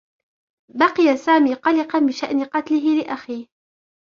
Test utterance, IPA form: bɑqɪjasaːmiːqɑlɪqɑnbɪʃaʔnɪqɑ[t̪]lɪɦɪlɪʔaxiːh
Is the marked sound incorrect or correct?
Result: correct